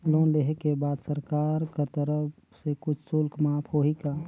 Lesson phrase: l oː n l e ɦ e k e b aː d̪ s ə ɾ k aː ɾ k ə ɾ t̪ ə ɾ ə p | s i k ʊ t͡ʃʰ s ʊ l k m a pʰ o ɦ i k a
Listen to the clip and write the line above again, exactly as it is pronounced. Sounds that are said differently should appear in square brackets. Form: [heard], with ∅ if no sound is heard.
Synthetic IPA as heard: l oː n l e ɦ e k e b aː d̪ s ə ɾ k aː ɾ k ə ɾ t̪ ə ɾ ə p | s [e] k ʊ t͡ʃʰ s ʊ l k m a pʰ o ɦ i k a